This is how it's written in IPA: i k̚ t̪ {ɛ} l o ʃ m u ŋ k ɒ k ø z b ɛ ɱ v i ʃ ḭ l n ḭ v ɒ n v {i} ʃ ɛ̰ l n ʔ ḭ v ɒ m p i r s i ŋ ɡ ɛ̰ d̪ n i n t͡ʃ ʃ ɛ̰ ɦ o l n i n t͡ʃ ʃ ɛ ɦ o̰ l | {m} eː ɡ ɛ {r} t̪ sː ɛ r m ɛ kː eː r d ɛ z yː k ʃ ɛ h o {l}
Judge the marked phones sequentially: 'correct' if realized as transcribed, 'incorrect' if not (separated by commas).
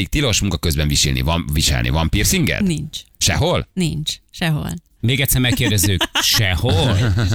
incorrect, correct, correct, incorrect, correct